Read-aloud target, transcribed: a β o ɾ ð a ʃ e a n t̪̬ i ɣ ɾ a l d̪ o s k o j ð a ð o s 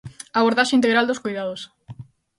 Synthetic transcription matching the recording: a β o ɾ ð a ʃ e i n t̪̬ e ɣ ɾ a l d̪ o s k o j ð a ð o s